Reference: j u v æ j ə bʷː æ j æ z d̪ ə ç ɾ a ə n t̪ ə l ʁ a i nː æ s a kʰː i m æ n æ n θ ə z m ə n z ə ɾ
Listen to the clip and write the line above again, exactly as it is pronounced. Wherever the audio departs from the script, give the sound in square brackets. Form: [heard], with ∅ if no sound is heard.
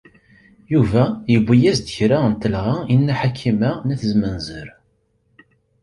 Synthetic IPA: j u v æ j ə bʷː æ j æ z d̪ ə ç ɾ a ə n t̪ ə l ʁ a i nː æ [ħ] a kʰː i m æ n æ [∅] θ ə z m ə n z ə ɾ